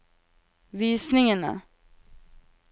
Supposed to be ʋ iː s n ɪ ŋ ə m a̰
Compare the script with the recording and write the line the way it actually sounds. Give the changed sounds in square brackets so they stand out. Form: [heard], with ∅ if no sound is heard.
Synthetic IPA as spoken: [v] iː s n ɪ ŋ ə [n] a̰